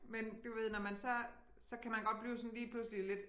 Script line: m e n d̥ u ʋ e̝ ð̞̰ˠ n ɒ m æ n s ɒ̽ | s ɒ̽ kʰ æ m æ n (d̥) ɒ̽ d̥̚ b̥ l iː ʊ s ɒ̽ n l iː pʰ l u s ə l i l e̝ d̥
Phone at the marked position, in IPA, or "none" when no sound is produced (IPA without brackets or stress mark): ɡ̥